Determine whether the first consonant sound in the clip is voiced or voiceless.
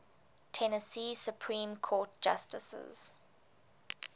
voiceless